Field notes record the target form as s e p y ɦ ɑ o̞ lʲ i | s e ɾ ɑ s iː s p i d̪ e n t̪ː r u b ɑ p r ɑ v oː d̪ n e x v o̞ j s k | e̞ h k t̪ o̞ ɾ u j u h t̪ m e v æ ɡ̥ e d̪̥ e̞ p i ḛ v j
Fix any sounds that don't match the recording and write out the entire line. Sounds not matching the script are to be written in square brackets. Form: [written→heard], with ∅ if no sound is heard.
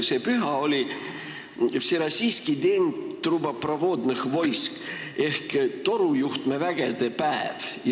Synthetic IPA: s e p y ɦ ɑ o̞ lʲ i | s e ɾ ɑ s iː s [p→k] i d̪ e n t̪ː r u b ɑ p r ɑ v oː d̪ n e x v o̞ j s k | e̞ h k t̪ o̞ ɾ u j u h t̪ m e v æ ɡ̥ e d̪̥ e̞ p [i→æ] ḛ v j